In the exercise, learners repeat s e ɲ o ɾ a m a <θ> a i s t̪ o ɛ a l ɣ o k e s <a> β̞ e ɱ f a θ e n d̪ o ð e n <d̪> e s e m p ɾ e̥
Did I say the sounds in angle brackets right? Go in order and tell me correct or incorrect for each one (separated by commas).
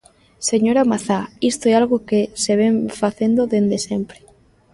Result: correct, incorrect, correct